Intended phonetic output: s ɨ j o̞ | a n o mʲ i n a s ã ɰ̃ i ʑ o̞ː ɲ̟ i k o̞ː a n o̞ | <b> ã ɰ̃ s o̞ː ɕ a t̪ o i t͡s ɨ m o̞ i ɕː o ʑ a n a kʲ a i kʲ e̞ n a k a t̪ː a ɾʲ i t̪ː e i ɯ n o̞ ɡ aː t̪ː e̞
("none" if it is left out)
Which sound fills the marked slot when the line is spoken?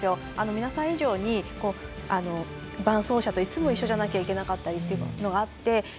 b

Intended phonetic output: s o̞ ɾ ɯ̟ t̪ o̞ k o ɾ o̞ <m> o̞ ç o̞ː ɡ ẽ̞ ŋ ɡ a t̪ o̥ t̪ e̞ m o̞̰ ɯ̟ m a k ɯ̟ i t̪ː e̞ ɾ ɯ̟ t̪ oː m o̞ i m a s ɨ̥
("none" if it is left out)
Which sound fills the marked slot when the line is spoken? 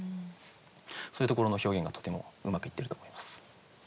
n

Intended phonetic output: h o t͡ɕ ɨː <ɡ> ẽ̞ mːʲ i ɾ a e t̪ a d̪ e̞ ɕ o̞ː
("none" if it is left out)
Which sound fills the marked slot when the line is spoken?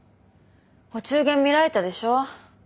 ɡ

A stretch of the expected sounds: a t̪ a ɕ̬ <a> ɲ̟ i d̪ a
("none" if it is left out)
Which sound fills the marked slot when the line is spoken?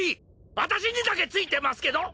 i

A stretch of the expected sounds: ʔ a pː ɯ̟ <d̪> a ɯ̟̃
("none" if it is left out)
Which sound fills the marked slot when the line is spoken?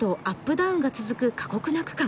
d̪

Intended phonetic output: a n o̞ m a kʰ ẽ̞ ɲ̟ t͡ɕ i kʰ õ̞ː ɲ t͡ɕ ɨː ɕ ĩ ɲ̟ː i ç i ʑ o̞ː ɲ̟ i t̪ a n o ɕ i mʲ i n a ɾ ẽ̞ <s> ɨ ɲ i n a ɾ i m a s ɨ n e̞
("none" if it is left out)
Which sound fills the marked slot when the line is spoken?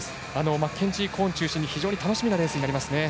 s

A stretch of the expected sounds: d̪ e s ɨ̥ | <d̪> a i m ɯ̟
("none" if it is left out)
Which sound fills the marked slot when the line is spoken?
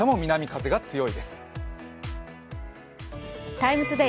t̪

